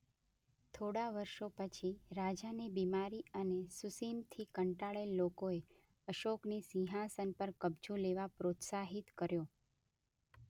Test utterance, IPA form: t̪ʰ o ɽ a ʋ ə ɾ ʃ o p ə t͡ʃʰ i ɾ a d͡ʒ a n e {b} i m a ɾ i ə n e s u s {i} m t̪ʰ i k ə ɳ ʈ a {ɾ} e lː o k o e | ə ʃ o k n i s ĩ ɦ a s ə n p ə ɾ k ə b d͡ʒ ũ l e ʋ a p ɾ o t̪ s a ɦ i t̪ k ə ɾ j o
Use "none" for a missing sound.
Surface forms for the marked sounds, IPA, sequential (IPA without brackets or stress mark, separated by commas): b, i, ɭ